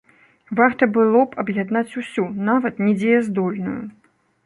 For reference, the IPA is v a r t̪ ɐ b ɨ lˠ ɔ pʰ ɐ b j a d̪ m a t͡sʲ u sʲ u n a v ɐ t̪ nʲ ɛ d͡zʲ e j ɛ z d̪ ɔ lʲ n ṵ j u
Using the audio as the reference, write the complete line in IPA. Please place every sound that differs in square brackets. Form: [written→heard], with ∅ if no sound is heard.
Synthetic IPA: v a r t̪ ɐ b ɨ lˠ ɔ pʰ ɐ b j a d̪ [m→n] a t͡sʲ u sʲ u n a v ɐ t̪ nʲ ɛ d͡zʲ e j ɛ z d̪ ɔ lʲ n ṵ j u